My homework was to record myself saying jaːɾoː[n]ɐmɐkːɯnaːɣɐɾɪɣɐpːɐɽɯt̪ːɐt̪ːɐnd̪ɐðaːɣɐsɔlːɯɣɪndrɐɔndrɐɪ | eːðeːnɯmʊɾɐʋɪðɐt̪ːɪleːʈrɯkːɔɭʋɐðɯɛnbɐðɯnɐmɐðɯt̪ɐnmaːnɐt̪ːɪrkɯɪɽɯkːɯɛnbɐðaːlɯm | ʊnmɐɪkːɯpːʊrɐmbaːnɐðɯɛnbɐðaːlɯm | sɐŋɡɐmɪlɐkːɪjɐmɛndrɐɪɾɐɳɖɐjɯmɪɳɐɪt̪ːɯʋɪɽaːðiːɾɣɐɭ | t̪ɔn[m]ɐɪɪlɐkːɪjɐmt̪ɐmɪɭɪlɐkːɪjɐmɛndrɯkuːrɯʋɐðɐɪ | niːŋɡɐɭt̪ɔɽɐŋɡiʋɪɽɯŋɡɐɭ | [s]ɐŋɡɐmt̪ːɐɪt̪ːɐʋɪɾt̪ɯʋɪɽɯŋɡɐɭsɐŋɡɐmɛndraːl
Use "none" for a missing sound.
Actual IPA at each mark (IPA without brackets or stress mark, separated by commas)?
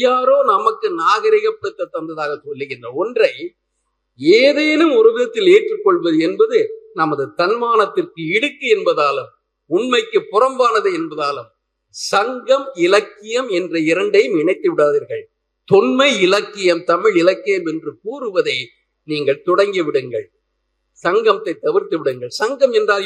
n, m, s